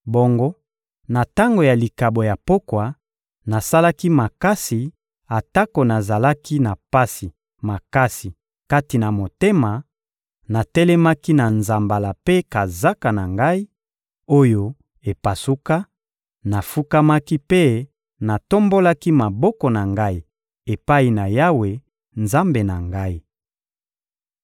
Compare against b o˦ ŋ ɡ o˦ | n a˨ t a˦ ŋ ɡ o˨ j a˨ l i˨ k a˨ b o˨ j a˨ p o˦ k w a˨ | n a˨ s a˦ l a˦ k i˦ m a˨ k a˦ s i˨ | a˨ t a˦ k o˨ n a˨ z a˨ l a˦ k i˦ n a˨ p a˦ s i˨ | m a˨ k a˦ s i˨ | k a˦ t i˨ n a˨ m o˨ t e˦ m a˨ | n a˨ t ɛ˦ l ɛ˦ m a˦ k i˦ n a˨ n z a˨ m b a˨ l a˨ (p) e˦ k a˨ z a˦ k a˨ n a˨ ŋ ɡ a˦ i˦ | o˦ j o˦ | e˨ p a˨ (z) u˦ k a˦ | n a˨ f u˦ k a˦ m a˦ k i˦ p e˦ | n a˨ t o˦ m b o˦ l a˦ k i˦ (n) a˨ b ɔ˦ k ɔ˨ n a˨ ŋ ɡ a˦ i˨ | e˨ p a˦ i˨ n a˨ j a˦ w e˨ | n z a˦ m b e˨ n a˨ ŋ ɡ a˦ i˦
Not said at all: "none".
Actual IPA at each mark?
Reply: p, s, m

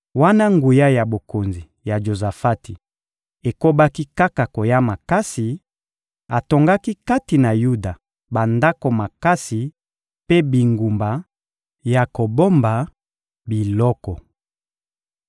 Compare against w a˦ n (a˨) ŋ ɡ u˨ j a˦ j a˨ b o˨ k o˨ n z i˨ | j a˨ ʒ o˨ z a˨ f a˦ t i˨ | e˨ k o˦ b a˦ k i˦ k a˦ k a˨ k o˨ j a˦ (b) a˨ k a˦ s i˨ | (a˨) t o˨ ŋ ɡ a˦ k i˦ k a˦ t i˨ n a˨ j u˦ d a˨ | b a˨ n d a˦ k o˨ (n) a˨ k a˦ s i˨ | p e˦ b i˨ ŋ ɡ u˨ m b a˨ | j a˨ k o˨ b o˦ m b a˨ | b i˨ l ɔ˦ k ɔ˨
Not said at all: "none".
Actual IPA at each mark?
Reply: a˦, m, a˨, m

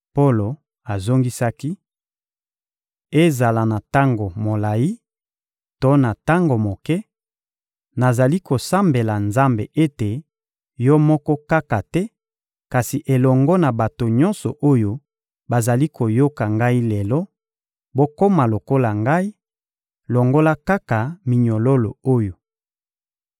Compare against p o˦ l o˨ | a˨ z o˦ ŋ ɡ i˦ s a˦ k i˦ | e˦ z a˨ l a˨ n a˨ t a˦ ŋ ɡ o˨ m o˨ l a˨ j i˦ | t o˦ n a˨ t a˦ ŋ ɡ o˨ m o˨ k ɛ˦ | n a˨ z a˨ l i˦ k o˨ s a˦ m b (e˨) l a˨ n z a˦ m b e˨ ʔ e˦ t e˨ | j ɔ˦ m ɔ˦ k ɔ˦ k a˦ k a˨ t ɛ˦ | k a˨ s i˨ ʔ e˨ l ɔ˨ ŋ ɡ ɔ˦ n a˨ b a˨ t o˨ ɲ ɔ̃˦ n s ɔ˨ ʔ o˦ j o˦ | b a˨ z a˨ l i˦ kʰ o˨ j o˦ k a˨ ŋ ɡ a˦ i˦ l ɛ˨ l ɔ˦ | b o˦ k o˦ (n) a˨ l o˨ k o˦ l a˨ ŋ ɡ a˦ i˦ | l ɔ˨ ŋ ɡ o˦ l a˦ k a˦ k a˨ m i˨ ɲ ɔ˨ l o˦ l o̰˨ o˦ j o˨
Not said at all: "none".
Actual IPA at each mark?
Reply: e˨, m

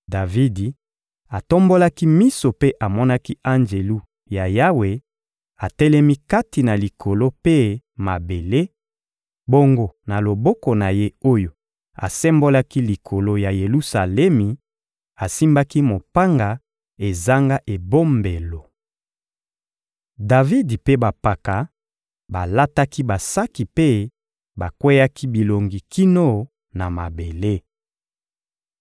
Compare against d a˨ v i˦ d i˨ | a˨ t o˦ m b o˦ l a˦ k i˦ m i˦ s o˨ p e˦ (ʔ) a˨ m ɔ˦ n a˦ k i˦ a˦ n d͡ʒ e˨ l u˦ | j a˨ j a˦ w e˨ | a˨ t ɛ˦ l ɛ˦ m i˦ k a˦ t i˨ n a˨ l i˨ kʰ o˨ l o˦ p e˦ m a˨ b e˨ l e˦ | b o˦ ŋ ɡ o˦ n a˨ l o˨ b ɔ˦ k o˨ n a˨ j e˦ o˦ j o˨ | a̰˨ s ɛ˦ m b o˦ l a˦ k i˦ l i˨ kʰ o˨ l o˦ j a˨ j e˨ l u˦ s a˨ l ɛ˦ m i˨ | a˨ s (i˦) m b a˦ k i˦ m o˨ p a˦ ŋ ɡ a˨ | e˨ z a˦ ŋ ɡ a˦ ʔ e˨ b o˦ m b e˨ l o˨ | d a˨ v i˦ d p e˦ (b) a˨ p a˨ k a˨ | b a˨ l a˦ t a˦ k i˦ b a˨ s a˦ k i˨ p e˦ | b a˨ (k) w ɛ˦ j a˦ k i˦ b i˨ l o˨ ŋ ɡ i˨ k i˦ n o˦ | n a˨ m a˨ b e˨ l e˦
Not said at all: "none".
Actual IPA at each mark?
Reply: ʔ, i˦, b, k

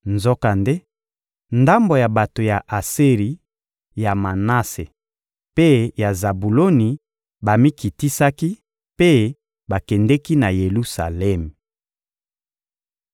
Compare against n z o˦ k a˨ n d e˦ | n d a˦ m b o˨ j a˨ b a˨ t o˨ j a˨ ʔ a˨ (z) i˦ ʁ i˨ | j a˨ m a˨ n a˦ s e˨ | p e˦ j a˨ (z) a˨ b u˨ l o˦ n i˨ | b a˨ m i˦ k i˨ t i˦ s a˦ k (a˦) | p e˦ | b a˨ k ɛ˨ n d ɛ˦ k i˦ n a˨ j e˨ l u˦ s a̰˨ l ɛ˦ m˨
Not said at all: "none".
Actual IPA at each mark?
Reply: s, z, i˦

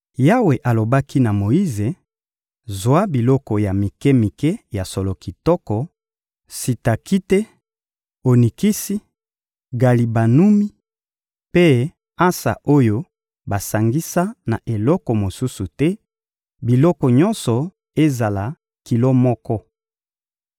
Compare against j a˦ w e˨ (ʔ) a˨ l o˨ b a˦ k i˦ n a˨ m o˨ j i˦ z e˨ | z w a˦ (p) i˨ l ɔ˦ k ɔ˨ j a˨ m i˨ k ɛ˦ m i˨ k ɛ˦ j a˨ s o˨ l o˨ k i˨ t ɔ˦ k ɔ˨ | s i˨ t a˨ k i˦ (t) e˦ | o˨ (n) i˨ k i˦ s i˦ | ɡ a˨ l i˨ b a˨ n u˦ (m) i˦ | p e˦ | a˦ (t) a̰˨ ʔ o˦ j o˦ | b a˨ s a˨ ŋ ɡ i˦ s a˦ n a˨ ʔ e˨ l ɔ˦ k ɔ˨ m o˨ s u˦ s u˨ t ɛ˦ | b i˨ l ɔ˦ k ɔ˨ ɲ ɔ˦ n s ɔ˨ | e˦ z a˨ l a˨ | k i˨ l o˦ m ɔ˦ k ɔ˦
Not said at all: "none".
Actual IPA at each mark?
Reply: ʔ, b, t, n, m, s

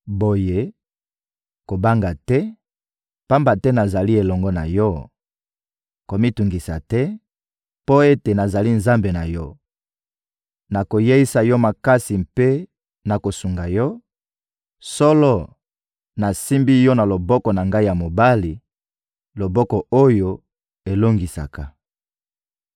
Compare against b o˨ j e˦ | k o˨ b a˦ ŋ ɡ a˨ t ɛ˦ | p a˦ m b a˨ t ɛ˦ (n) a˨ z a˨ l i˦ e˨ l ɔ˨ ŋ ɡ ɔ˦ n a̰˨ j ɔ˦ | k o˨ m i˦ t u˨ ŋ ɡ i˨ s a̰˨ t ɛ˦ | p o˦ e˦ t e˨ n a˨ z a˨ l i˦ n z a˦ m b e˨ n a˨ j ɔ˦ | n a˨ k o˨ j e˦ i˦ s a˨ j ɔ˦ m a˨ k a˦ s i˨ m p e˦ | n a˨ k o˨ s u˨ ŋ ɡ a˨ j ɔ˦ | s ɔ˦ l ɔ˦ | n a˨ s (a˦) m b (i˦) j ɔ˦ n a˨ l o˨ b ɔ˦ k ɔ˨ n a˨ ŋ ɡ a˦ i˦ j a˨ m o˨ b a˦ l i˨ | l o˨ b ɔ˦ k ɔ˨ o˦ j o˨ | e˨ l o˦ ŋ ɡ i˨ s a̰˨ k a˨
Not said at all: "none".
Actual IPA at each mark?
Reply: n, i˦, i˦

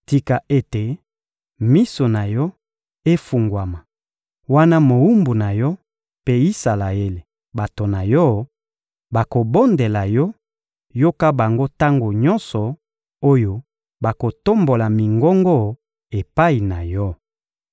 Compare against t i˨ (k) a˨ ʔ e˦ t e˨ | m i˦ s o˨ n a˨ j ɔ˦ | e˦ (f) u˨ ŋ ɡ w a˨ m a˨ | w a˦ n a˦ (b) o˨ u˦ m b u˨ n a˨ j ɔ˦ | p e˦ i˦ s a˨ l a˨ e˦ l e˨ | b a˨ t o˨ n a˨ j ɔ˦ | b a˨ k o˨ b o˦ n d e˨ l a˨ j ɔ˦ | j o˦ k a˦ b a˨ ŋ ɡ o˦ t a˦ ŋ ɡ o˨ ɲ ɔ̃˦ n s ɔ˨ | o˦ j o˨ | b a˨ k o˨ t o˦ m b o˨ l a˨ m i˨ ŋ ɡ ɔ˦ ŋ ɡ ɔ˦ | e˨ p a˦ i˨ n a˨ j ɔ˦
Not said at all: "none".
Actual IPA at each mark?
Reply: k, f, m

